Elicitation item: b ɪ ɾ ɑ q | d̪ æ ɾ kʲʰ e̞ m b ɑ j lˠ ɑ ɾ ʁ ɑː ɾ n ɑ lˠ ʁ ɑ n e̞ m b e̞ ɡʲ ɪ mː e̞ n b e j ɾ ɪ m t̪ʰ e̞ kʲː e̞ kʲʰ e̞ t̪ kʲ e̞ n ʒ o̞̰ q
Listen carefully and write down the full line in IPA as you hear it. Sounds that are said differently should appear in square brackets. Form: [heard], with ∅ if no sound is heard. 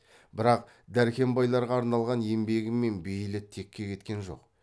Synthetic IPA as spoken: b ɪ ɾ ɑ q | d̪ æ ɾ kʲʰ e̞ m b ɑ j lˠ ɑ ɾ ʁ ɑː ɾ n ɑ lˠ ʁ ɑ n e̞ m b e̞ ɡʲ ɪ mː e̞ n b e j [l] ɪ [∅] t̪ʰ e̞ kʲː e̞ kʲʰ e̞ t̪ kʲ e̞ n ʒ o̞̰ q